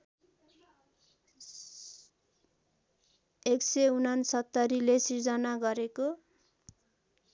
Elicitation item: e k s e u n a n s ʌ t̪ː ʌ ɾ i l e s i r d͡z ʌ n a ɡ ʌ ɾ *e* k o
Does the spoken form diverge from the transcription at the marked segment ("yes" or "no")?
no